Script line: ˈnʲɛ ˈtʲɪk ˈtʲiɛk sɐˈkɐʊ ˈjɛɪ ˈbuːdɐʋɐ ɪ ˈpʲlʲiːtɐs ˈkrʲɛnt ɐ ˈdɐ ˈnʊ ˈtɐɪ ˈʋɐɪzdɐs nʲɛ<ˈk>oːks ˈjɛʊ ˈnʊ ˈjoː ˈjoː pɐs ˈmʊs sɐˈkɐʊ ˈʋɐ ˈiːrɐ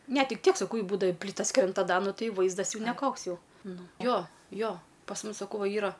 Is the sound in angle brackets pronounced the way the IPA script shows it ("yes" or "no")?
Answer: yes